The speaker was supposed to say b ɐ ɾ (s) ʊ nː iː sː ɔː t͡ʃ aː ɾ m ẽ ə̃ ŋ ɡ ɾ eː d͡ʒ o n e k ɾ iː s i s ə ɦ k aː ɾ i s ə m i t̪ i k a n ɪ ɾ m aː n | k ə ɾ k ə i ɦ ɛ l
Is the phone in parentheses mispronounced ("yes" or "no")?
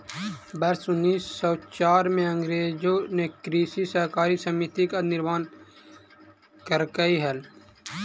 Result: no